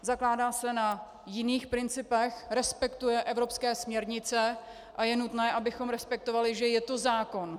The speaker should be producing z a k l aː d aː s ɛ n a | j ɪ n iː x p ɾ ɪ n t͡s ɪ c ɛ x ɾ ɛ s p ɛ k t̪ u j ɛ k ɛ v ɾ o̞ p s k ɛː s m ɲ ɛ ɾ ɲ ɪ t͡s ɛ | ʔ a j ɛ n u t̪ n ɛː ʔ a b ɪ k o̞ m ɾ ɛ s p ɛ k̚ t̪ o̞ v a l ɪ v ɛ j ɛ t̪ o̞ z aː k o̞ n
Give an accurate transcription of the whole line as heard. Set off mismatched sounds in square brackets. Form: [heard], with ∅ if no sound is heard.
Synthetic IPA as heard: z a k l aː d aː s ɛ n a | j ɪ n iː x p ɾ ɪ n t͡s ɪ [p] ɛ x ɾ ɛ s p ɛ k t̪ u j ɛ [ʔ] ɛ v ɾ o̞ p s k ɛː s m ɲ ɛ ɾ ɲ ɪ t͡s ɛ | ʔ a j ɛ n u t̪ n ɛː ʔ a b ɪ [x] o̞ m ɾ ɛ s p ɛ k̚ t̪ o̞ v a l ɪ [ʒ] ɛ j ɛ t̪ o̞ z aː k o̞ n